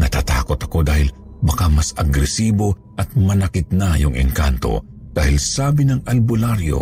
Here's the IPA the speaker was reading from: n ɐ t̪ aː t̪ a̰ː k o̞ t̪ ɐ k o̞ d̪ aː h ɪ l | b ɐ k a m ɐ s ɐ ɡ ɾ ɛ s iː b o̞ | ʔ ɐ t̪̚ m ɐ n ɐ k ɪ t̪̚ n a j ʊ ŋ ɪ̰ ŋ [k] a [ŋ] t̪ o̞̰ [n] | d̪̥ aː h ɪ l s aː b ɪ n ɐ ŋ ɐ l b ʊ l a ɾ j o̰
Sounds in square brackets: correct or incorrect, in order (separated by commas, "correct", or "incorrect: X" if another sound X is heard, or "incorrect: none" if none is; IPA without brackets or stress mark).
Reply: correct, incorrect: n, incorrect: none